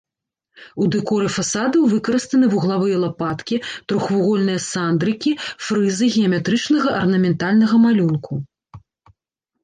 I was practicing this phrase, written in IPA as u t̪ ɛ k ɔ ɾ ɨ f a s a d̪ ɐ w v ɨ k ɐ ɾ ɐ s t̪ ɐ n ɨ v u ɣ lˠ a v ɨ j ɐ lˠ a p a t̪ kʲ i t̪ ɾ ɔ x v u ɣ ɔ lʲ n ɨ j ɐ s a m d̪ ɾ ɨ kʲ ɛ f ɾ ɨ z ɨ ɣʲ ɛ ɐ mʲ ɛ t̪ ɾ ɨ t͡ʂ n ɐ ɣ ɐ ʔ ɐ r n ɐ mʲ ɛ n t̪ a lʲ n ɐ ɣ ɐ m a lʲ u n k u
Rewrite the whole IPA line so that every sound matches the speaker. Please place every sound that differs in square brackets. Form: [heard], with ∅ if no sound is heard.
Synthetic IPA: u [d̪] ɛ k ɔ ɾ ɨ f a s a d̪ ɐ w v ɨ k ɐ ɾ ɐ s t̪ ɐ n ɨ v u ɣ lˠ a v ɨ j ɐ lˠ a p a t̪ kʲ i t̪ ɾ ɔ x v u ɣ ɔ lʲ n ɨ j ɐ s a [n] d̪ ɾ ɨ kʲ [i] f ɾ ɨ z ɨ ɣʲ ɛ ɐ mʲ ɛ t̪ ɾ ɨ t͡ʂ n ɐ ɣ ɐ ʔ ɐ r n ɐ mʲ ɛ n t̪ a lʲ n ɐ ɣ ɐ m a lʲ u n k u

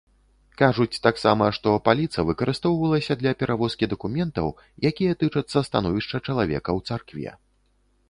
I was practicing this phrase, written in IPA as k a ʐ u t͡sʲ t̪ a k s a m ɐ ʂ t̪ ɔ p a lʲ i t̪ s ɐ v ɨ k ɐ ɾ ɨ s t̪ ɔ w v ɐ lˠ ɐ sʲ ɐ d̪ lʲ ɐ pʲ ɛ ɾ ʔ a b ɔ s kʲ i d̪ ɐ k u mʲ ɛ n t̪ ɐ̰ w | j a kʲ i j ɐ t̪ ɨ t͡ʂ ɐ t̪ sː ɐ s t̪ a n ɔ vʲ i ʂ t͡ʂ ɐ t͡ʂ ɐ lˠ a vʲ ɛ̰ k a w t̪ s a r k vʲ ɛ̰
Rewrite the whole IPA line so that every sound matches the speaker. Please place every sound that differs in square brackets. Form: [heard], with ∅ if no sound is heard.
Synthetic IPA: k a ʐ u t͡sʲ t̪ a k s a m ɐ ʂ t̪ ɔ p a lʲ i t̪ s ɐ v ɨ k ɐ ɾ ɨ s t̪ ɔ w v ɐ lˠ ɐ sʲ ɐ d̪ lʲ ɐ pʲ ɛ ɾ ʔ a [v] ɔ s kʲ i d̪ ɐ k u mʲ ɛ n t̪ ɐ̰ w | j a kʲ i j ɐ t̪ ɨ t͡ʂ ɐ t̪ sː ɐ s t̪ a n ɔ vʲ i ʂ t͡ʂ ɐ t͡ʂ ɐ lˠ a vʲ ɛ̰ k [ɐ] w t̪ s a r k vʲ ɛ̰

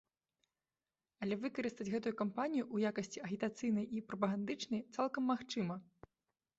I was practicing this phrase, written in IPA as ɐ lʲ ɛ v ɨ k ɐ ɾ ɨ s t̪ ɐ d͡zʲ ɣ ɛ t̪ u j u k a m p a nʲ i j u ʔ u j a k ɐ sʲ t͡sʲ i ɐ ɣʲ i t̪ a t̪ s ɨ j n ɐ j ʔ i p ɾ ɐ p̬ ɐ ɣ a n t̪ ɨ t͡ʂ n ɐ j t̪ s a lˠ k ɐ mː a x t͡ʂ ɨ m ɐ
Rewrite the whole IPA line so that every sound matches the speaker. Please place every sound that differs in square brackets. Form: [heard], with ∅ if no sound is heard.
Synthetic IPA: ɐ lʲ ɛ v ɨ k ɐ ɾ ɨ s t̪ ɐ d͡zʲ ɣ ɛ t̪ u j u k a m p a nʲ i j u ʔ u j a k ɐ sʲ t͡sʲ i ɐ ɣʲ i t̪ a t̪ s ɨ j n ɐ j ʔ i p ɾ ɐ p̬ ɐ ɣ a n [d̪] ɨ t͡ʂ n ɐ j t̪ s a lˠ k ɐ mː a x t͡ʂ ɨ m ɐ

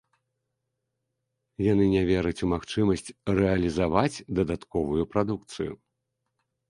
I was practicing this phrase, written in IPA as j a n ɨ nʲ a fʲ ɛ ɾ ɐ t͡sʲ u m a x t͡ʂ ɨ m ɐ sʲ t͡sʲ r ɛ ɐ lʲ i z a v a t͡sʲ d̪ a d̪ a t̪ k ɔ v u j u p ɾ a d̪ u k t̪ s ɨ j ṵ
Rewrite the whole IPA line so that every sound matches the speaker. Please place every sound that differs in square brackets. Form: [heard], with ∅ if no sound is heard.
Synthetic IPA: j a n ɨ nʲ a [vʲ] ɛ ɾ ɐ t͡sʲ u m a x t͡ʂ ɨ m ɐ sʲ t͡sʲ r ɛ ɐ lʲ i z a v a t͡sʲ d̪ [ɐ] d̪ a t̪ k ɔ v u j u p ɾ a d̪ u k t̪ s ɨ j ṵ

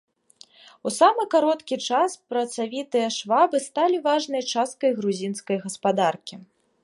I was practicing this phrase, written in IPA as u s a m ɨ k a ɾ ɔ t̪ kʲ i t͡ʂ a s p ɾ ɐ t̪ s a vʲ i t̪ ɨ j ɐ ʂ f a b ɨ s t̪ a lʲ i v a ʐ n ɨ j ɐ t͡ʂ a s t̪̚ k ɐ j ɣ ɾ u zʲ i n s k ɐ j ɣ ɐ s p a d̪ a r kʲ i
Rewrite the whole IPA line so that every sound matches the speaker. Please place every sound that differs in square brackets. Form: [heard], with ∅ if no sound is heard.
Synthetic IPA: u s a m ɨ k a ɾ ɔ t̪ kʲ i t͡ʂ a s p ɾ ɐ t̪ s a vʲ i t̪ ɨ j ɐ ʂ [v] a b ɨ s t̪ a lʲ i v a ʐ n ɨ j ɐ t͡ʂ a s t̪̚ k ɐ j ɣ ɾ u zʲ i n s k ɐ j ɣ ɐ s p a d̪ a r kʲ i

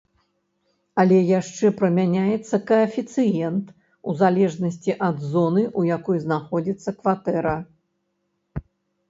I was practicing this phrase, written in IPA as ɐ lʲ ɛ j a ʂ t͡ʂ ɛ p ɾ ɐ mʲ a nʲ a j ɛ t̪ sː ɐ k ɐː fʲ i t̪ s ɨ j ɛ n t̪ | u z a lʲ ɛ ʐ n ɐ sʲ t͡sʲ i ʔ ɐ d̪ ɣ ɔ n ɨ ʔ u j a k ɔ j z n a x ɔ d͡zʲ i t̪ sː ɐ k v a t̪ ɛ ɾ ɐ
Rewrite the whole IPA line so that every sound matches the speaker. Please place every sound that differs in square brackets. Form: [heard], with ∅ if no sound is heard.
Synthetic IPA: ɐ lʲ ɛ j a ʂ t͡ʂ ɛ p ɾ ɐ mʲ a nʲ a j ɛ t̪ sː ɐ k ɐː fʲ i t̪ s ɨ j ɛ n t̪ | u z a lʲ ɛ ʐ n ɐ sʲ t͡sʲ i ʔ ɐ d̪ [z] ɔ n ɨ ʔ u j a k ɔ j z n a x ɔ d͡zʲ i t̪ sː ɐ k v a t̪ ɛ ɾ ɐ

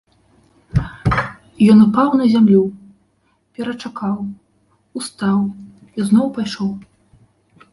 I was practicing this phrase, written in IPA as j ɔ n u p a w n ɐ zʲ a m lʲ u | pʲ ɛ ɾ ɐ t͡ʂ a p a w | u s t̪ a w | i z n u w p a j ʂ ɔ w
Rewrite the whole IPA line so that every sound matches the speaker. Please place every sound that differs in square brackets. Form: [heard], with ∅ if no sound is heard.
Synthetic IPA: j ɔ n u p a w n ɐ zʲ a m lʲ u | pʲ ɛ ɾ ɐ t͡ʂ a [k] a w | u s t̪ a w | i z n [ɔ] w p a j ʂ ɔ w

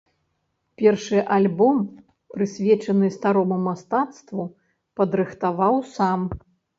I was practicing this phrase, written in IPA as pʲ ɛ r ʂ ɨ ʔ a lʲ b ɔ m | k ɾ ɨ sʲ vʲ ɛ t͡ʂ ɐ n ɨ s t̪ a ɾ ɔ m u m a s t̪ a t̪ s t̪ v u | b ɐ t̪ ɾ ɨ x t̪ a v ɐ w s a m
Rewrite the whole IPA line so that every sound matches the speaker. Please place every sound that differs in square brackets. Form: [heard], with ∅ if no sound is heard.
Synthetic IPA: pʲ ɛ r ʂ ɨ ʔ a lʲ b ɔ m | [p] ɾ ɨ sʲ vʲ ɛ t͡ʂ ɐ n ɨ s t̪ a ɾ ɔ m u m a s t̪ a t̪ s t̪ v u | [p] ɐ [d̪] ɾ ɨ x t̪ a v [a] w s a m

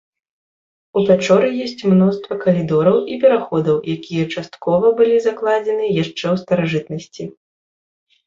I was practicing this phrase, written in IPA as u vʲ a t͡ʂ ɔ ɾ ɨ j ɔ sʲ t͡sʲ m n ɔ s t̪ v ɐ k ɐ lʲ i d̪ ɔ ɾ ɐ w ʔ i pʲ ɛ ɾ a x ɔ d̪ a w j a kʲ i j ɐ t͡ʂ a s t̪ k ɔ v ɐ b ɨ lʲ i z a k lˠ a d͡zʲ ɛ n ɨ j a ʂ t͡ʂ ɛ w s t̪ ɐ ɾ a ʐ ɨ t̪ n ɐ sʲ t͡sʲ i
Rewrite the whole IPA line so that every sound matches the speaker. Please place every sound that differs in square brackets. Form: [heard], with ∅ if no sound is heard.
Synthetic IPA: u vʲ a t͡ʂ ɔ ɾ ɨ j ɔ sʲ t͡sʲ m n ɔ s t̪ v ɐ k ɐ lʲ i d̪ ɔ ɾ ɐ w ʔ i pʲ ɛ ɾ a x ɔ d̪ [ɐ] w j a kʲ i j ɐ t͡ʂ a s t̪ k ɔ v ɐ b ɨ lʲ i z a k lˠ a d͡zʲ ɛ n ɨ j a ʂ t͡ʂ ɛ w s t̪ ɐ ɾ a ʐ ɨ t̪ n ɐ sʲ t͡sʲ i

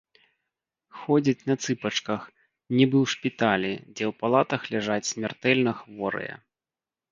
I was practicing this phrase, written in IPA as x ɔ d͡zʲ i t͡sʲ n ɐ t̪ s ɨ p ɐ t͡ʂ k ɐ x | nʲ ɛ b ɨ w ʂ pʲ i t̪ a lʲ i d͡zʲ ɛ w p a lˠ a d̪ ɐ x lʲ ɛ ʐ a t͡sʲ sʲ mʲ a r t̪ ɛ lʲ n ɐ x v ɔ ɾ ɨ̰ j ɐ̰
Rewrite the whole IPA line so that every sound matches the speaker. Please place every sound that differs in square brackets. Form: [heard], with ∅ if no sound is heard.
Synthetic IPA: x ɔ d͡zʲ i t͡sʲ n ɐ t̪ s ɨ p ɐ t͡ʂ k ɐ x | nʲ [i] b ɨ w ʂ pʲ i t̪ a lʲ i d͡zʲ ɛ w p a lˠ a [t̪] ɐ x lʲ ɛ ʐ a t͡sʲ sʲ mʲ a r t̪ ɛ lʲ n ɐ x v ɔ ɾ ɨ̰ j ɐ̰

